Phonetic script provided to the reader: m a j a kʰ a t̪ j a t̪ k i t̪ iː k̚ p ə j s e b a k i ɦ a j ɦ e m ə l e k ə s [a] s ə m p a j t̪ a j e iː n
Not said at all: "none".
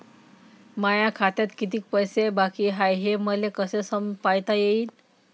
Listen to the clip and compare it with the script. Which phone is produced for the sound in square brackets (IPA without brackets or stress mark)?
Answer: e